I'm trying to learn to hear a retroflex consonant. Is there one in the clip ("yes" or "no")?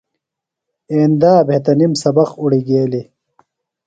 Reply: yes